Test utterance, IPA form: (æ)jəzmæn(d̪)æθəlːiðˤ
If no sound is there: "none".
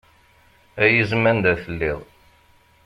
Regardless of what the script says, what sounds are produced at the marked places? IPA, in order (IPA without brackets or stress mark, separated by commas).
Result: æ, d̪